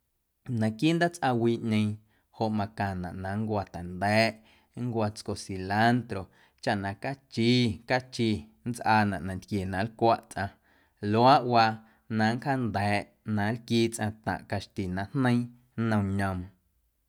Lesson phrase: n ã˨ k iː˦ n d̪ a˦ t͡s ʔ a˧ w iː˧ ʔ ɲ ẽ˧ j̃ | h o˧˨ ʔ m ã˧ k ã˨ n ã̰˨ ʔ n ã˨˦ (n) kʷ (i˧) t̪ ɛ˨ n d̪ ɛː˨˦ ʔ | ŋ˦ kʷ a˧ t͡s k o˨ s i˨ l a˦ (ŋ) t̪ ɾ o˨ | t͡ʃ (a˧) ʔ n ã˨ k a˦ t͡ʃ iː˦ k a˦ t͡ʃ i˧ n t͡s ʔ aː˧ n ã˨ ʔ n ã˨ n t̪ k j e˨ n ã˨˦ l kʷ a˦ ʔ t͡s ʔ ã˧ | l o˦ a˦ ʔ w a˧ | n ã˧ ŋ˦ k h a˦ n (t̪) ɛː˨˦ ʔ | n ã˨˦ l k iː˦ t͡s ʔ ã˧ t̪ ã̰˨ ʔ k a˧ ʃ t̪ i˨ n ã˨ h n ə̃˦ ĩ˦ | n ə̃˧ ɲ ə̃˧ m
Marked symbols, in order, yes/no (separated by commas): no, no, no, yes, no